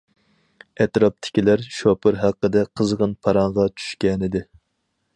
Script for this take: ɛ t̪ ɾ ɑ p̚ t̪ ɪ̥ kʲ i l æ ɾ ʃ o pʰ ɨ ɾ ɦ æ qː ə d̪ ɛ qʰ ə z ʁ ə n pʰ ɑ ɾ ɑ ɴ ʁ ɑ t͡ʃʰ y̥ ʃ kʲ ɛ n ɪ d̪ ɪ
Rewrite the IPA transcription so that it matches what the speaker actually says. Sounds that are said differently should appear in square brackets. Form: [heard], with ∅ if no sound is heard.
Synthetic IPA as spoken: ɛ t̪ ɾ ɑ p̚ [t̪ʰ] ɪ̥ kʲ i l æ ɾ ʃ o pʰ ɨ ɾ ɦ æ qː ə d̪ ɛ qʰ ə z ʁ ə n pʰ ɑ ɾ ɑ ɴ ʁ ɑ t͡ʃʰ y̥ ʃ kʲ ɛ n ɪ d̪ ɪ

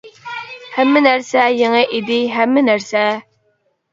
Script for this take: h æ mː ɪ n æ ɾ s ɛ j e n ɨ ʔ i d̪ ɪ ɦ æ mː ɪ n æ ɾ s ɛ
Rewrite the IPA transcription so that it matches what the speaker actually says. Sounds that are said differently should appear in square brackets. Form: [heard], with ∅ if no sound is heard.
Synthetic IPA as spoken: h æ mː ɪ n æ ɾ s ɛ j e [ŋ] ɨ ʔ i d̪ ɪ ɦ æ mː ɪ n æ ɾ s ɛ

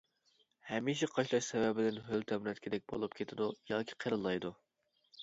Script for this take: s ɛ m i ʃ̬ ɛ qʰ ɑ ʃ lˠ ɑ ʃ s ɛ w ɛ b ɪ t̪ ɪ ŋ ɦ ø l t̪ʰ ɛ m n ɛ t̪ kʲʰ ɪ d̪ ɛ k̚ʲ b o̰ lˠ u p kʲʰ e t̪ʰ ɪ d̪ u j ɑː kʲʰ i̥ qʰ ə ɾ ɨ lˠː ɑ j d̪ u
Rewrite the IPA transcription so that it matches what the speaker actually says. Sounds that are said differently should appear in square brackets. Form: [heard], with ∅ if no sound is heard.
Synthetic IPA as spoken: [h] ɛ m i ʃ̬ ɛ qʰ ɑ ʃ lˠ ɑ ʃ s ɛ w ɛ b ɪ [d̪] ɪ [n] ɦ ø l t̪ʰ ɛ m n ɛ t̪ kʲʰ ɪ d̪ ɛ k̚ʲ b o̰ lˠ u p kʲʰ e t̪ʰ ɪ d̪ u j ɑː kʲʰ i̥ qʰ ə ɾ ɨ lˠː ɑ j d̪ u

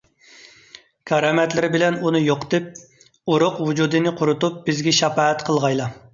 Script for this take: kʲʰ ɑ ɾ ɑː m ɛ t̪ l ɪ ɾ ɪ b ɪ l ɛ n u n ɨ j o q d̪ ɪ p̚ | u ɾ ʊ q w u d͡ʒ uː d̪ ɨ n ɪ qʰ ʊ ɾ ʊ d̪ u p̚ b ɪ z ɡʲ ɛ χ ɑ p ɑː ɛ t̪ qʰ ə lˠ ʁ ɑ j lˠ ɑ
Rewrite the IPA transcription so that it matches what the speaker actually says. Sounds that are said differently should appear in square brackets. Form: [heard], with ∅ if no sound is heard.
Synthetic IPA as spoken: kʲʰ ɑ ɾ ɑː m ɛ t̪ l ɪ ɾ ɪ b ɪ l ɛ n u n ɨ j o q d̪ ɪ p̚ | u ɾ ʊ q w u d͡ʒ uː d̪ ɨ n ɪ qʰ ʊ ɾ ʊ [t̪] u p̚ b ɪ z ɡʲ ɛ [ʃ] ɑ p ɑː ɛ t̪ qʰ ə lˠ ʁ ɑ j lˠ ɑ

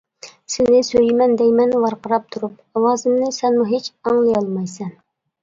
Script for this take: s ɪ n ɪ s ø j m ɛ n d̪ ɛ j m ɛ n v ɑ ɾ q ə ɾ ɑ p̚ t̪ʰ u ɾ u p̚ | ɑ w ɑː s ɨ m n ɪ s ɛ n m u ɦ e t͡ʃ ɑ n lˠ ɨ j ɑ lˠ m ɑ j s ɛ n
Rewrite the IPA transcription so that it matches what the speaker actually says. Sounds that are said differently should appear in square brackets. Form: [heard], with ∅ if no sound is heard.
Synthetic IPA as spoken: s ɪ n ɪ s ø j m ɛ n d̪ ɛ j m ɛ n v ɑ ɾ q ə ɾ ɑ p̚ t̪ʰ u ɾ u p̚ | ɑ w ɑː [z] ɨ m n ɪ s ɛ n m u ɦ e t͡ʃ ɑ [ŋ] lˠ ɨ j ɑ lˠ m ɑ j s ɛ n

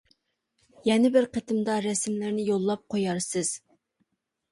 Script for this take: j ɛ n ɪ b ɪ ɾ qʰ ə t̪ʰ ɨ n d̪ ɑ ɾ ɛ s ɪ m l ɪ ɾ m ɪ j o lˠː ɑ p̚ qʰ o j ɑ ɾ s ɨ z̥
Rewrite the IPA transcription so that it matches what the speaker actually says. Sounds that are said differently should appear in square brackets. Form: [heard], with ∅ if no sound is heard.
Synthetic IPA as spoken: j ɛ n ɪ b ɪ ɾ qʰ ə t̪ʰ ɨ [m] d̪ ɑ ɾ ɛ s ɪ m l ɪ ɾ [n] ɪ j o lˠː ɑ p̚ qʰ o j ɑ ɾ s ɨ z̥

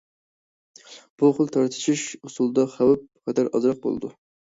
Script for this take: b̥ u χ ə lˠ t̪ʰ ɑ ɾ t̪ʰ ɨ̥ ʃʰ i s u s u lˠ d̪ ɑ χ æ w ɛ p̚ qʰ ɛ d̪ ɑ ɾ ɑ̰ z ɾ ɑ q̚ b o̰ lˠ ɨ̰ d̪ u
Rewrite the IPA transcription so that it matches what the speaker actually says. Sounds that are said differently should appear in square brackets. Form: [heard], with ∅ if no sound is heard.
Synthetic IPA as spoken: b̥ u χ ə lˠ t̪ʰ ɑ ɾ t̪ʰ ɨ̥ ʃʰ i [ʃ] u s u lˠ d̪ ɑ χ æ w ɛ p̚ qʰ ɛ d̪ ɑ ɾ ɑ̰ z ɾ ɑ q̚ b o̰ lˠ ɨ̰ d̪ u

